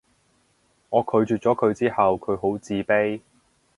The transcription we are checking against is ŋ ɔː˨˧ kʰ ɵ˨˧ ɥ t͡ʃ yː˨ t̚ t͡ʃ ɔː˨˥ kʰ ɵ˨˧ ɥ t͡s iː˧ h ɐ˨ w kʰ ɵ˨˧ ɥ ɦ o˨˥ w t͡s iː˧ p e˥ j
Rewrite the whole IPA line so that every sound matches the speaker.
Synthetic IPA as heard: ŋ ɔː˨˧ kʰ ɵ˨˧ ɥ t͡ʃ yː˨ t̚ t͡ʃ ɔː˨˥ kʰ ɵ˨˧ ɥ t͡s iː˥ h ɐ˨ w kʰ ɵ˨˧ ɥ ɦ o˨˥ w t͡s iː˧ p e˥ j